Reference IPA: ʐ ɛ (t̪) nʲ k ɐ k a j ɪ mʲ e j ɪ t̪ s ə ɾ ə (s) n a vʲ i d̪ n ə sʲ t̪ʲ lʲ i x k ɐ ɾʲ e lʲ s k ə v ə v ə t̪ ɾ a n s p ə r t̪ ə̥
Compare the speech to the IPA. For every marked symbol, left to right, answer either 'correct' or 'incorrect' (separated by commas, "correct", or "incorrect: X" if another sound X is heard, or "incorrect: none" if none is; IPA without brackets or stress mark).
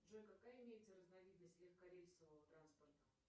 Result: incorrect: none, incorrect: z